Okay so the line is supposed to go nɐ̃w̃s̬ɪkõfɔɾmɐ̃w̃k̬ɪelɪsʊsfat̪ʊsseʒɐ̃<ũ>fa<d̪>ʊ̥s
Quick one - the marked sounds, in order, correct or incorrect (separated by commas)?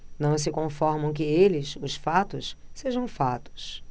incorrect, incorrect